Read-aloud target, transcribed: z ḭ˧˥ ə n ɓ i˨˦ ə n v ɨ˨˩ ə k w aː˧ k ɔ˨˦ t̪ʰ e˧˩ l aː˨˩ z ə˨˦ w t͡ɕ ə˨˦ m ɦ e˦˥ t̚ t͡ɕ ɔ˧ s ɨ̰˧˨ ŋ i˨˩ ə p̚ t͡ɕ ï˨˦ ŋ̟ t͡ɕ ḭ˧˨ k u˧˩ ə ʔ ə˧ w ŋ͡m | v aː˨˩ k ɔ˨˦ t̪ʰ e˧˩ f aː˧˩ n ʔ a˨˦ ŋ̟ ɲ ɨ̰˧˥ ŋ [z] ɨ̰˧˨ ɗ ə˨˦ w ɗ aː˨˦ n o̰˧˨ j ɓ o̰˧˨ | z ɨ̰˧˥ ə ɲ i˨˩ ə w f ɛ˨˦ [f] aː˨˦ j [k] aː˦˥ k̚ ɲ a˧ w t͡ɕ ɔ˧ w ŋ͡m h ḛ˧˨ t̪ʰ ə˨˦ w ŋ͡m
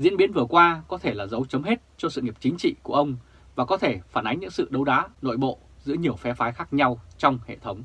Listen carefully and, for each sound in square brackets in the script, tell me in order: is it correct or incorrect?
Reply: incorrect, correct, incorrect

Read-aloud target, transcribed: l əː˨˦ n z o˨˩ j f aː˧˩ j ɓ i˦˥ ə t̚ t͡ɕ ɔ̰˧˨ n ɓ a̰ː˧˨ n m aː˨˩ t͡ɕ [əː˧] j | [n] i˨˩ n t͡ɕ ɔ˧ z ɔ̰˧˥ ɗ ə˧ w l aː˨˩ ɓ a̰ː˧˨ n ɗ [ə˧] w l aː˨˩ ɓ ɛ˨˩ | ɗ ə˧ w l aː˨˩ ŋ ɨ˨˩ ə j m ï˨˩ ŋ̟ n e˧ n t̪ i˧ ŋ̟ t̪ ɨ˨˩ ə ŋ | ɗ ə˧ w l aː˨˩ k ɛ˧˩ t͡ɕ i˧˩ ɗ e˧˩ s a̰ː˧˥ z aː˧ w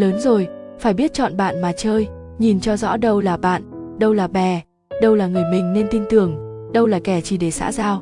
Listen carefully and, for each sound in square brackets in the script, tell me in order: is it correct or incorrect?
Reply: correct, incorrect, correct

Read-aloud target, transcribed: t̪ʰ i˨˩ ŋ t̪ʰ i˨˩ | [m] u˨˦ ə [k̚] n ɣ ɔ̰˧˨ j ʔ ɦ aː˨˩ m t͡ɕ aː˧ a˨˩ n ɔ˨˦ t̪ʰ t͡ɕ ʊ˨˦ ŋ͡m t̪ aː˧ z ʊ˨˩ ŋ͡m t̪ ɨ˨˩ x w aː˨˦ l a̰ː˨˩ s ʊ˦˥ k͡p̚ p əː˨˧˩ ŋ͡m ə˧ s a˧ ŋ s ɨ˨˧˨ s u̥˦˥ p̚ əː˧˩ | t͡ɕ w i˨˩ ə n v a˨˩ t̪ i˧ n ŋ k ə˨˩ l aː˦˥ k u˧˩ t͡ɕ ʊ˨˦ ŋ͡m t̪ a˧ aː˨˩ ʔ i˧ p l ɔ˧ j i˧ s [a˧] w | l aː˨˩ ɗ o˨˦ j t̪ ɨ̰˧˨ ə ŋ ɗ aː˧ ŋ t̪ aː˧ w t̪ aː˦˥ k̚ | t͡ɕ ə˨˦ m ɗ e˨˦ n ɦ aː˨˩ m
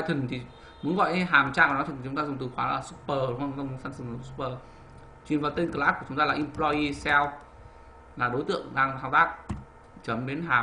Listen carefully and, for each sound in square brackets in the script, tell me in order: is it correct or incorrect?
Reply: correct, incorrect, incorrect

